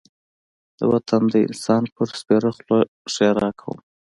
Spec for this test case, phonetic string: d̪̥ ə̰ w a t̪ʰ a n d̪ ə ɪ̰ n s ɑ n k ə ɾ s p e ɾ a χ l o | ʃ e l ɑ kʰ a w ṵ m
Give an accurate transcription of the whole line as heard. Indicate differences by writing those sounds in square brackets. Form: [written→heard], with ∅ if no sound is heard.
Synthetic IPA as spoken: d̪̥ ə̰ w a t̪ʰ a n d̪ ə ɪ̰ n s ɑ n [k→p] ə ɾ s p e ɾ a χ l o | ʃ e [l→ɾ] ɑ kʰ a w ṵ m